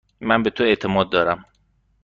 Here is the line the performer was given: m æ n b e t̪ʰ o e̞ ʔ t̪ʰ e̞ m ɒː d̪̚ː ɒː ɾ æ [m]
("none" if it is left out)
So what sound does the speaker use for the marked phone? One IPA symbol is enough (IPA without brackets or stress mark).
m